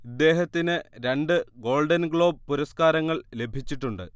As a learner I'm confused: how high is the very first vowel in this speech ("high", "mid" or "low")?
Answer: high